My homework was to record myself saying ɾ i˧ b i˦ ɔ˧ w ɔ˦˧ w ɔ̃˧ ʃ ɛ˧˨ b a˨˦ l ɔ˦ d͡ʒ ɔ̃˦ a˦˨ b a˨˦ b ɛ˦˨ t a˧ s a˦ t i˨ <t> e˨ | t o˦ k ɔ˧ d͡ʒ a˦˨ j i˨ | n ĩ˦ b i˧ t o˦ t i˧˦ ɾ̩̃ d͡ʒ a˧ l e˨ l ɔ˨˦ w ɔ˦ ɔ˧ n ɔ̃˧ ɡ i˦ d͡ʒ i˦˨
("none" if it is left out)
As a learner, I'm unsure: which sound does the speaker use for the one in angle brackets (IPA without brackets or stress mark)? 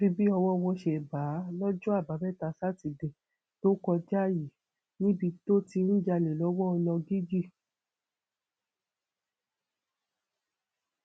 d